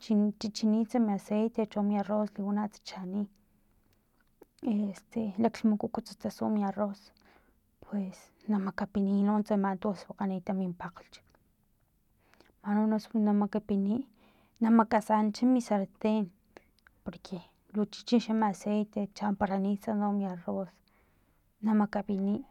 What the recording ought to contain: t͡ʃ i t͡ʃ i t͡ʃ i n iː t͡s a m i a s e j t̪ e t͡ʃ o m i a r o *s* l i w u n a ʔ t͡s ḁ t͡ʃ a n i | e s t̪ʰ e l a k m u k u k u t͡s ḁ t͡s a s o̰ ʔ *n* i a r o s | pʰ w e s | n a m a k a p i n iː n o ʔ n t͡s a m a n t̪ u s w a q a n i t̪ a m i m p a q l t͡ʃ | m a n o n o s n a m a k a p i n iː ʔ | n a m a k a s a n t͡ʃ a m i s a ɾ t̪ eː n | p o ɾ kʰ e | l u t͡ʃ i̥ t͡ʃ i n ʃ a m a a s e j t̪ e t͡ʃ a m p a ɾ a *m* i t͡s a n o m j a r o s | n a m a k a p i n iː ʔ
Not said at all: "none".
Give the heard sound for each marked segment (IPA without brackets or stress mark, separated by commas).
s, m, n